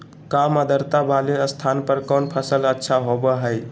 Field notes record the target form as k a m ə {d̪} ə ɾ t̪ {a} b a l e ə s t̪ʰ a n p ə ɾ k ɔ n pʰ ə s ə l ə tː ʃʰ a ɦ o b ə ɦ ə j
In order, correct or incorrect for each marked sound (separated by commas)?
correct, correct